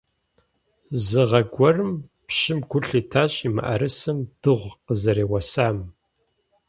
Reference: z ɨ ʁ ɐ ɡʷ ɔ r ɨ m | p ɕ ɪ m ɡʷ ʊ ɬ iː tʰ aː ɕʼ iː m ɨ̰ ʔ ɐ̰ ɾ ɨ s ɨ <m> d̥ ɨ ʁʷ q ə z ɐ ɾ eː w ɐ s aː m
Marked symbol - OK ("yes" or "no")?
yes